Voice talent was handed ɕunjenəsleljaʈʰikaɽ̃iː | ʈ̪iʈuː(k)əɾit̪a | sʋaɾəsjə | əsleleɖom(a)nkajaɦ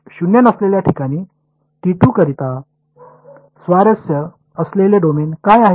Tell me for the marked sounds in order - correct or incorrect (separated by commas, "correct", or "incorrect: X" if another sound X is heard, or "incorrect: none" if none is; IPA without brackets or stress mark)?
correct, incorrect: e